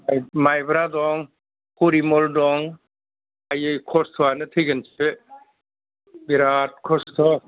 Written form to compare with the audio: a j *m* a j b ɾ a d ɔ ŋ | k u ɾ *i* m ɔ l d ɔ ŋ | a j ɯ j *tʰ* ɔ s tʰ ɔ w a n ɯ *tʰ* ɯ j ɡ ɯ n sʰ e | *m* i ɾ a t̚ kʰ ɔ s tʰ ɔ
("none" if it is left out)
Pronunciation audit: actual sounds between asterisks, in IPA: m, i, kʰ, tʰ, b

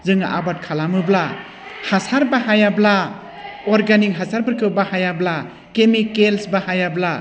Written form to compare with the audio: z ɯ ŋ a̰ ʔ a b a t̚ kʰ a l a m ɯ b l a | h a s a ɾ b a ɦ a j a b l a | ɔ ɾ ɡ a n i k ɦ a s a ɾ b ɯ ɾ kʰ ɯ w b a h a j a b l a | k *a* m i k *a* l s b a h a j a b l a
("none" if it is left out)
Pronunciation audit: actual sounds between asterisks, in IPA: e, e

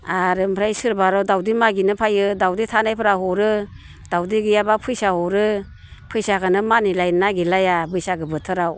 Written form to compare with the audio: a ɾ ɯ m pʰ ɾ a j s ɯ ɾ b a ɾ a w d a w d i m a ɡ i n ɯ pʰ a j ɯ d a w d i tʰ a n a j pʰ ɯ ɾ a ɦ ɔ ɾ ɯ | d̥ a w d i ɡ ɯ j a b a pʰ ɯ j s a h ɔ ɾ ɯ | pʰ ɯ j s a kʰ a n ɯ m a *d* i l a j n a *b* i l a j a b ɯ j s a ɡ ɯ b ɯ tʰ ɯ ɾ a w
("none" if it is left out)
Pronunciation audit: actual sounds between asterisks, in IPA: n, ɡ

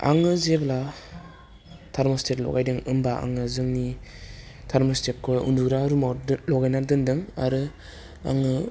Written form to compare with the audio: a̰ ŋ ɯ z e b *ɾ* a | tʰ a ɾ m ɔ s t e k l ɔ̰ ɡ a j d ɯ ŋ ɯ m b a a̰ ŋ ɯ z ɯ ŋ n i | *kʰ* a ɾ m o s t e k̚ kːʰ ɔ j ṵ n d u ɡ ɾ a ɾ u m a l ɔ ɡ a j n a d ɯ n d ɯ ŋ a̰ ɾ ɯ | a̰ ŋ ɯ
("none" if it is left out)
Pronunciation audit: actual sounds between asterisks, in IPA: l, tʰ

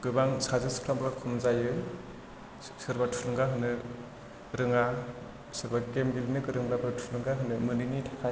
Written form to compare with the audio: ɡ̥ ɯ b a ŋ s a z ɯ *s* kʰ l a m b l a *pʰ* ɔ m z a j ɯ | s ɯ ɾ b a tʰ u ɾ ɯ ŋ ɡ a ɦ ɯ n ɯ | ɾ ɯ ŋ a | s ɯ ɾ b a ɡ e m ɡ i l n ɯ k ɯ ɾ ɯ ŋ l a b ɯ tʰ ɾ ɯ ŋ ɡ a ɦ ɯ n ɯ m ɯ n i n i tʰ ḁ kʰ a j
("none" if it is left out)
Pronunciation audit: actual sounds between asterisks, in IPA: s, kʰ

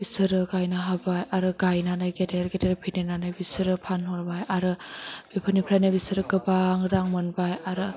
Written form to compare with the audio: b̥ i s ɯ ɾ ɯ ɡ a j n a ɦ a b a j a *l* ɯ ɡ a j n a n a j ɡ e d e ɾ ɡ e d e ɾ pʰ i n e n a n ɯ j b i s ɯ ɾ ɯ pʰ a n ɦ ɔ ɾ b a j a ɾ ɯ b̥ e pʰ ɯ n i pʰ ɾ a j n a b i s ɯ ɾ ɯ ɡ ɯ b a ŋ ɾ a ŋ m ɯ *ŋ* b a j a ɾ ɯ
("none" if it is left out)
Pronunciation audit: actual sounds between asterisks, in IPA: ɾ, n

